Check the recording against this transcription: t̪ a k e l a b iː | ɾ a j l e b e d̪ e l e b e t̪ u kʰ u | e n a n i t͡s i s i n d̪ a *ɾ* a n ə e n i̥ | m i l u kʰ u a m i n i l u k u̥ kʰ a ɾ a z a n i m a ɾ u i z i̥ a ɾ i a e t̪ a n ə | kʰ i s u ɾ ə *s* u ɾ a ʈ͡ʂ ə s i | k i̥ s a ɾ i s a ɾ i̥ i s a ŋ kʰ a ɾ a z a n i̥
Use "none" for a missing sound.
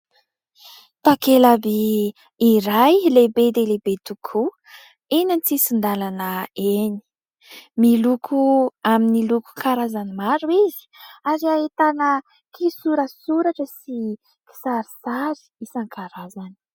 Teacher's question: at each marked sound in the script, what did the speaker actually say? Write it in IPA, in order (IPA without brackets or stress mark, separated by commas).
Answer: l, s